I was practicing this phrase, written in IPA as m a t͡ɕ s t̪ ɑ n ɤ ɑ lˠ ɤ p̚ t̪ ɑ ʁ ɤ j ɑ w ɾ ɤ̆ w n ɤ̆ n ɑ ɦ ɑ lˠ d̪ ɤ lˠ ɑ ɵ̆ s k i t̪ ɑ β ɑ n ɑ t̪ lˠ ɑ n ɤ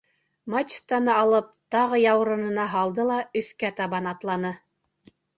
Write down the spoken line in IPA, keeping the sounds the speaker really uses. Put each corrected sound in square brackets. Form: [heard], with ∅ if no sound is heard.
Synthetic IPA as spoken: m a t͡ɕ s t̪ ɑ n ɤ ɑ lˠ ɤ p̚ t̪ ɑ ʁ ɤ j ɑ w ɾ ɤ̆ [∅] n ɤ̆ n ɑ ɦ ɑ lˠ d̪ ɤ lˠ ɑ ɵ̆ [θ] k [æ] t̪ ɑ β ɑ n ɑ t̪ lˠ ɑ n ɤ